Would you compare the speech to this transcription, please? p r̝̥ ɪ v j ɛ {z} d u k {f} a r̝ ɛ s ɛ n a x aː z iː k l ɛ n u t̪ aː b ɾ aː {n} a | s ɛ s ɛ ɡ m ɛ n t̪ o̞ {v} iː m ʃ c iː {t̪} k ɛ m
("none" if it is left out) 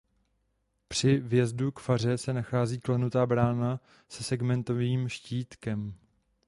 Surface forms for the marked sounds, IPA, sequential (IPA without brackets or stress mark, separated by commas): z, f, n, v, t̪